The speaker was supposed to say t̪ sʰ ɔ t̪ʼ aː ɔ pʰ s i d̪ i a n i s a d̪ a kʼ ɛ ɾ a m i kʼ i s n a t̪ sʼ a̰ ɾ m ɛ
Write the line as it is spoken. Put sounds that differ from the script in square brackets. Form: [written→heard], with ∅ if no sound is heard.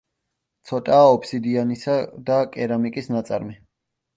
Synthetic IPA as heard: t̪ sʰ ɔ t̪ʼ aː ɔ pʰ s i d̪ i a n i s a d̪ a kʼ ɛ ɾ a m i kʼ i s n a t̪ sʼ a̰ ɾ m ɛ